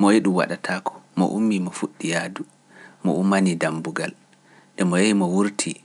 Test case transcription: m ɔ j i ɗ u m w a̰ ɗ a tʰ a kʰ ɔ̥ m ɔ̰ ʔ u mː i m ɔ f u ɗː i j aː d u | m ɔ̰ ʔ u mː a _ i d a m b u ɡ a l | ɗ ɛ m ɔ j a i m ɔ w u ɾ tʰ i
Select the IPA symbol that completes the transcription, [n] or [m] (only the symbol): n